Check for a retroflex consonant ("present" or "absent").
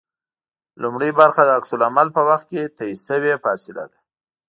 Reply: present